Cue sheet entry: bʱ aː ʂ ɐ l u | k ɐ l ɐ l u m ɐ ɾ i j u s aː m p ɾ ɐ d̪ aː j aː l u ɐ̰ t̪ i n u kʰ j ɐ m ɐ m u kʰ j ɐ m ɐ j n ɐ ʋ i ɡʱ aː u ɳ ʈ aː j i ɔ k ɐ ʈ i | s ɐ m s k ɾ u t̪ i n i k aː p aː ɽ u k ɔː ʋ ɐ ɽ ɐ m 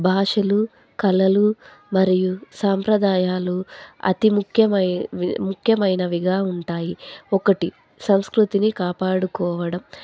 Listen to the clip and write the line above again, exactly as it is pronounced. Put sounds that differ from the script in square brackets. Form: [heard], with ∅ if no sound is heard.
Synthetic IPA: bʱ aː ʂ ɐ l u | k ɐ l ɐ l u m ɐ ɾ i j u s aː m p ɾ ɐ d̪ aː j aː l u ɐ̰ t̪ i [m] u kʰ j ɐ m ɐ m u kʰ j ɐ m ɐ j n ɐ ʋ i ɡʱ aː u ɳ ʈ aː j i ɔ k ɐ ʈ i | s ɐ m s k ɾ u t̪ i n i k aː p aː ɽ u k ɔː ʋ ɐ ɽ ɐ m

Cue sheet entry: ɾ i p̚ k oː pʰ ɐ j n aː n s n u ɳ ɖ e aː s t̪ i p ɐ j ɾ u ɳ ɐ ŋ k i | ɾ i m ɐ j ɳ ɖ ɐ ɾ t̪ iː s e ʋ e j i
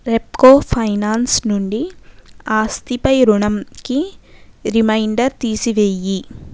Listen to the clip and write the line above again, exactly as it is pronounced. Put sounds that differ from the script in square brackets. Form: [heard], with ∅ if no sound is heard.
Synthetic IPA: ɾ [e] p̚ k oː pʰ ɐ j n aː n s n u ɳ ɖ [i] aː s t̪ i p ɐ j ɾ u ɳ ɐ [m] k i | ɾ i m ɐ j ɳ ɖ ɐ ɾ t̪ iː s [i] ʋ e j i

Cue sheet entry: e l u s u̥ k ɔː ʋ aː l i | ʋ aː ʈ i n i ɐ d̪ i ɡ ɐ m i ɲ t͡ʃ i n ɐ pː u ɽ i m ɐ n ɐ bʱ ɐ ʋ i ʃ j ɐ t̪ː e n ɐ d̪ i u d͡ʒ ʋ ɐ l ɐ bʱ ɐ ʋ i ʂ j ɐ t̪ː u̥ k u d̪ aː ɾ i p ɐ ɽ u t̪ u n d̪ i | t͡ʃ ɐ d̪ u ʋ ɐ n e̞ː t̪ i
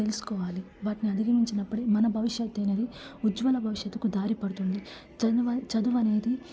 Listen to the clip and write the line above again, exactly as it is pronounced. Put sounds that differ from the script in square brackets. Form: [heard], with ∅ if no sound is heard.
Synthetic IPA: e l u s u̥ k ɔː ʋ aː l i | ʋ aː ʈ i n i ɐ d̪ i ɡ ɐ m i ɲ t͡ʃ i n ɐ pː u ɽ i m ɐ n ɐ bʱ ɐ ʋ i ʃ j ɐ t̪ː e n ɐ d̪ i u d͡ʒ ʋ ɐ l ɐ bʱ ɐ ʋ i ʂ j ɐ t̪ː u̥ k u d̪ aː ɾ i p ɐ ɽ u t̪ u n d̪ i | t͡ʃ ɐ d̪ u ʋ ɐ n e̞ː [d̪] i

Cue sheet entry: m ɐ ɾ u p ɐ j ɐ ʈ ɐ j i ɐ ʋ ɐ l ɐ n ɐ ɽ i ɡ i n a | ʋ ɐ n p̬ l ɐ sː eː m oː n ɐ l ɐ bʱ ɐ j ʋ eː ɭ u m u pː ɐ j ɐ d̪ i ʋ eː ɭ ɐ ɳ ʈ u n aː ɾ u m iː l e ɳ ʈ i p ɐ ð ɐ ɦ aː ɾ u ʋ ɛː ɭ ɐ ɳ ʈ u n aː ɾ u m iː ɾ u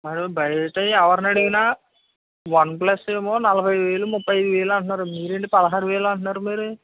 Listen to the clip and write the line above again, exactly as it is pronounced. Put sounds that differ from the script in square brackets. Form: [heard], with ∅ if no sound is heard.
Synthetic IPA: m ɐ ɾ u [b] ɐ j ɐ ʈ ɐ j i ɐ ʋ ɐ [ɾ] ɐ n ɐ ɽ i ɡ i n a | ʋ ɐ n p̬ l ɐ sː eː m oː n ɐ l ɐ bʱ ɐ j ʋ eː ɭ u m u pː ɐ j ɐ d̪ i ʋ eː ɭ ɐ ɳ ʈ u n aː ɾ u m iː [ɾ] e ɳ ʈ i p ɐ ð ɐ ɦ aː ɾ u ʋ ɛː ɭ ɐ ɳ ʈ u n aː ɾ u m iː ɾ u

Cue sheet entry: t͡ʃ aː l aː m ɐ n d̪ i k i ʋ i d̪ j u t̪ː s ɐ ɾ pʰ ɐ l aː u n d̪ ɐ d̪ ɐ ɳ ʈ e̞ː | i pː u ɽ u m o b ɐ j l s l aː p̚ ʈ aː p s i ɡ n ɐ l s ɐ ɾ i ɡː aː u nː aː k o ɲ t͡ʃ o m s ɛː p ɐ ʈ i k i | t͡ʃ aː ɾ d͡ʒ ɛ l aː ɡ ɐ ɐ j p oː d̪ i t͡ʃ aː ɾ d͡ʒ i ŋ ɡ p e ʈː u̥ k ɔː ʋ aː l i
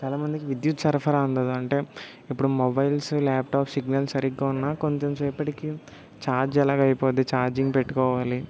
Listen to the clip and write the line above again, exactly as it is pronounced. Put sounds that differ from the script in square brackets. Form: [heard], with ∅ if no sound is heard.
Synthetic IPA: t͡ʃ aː l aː m ɐ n d̪ i k i ʋ i d̪ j u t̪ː s ɐ ɾ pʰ ɐ [ɾ] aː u n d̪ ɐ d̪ ɐ ɳ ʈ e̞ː | i pː u ɽ u m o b ɐ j l s l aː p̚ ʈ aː p s i ɡ n ɐ l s ɐ ɾ i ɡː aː u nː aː k o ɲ t͡ʃ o m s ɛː p ɐ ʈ i k i | t͡ʃ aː ɾ d͡ʒ ɛ l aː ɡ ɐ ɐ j p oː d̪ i t͡ʃ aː ɾ d͡ʒ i ŋ ɡ p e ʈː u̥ k ɔː ʋ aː l i

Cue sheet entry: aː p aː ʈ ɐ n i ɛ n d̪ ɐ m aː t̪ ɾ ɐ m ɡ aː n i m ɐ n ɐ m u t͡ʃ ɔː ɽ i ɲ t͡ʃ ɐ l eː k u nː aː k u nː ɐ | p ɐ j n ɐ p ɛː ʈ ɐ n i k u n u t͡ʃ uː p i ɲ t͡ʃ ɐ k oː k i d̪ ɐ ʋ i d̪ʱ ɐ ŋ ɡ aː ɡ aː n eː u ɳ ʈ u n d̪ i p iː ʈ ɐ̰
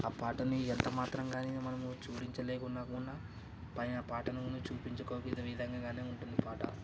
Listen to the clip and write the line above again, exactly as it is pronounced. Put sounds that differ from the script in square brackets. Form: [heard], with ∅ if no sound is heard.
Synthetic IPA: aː p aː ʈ ɐ n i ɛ n [t̪] ɐ m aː t̪ ɾ ɐ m ɡ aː n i m ɐ n ɐ m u t͡ʃ [uː] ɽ i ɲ t͡ʃ ɐ l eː k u nː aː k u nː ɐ | p ɐ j n ɐ p [aː] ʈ ɐ n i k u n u t͡ʃ uː p i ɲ t͡ʃ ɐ k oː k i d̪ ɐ ʋ i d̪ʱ ɐ ŋ ɡ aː ɡ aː n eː u ɳ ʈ u n d̪ i p [aː] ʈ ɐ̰

